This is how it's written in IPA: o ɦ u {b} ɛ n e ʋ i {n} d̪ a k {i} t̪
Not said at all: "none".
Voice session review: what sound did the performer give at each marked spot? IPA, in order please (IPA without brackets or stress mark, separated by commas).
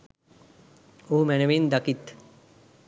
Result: m, n, i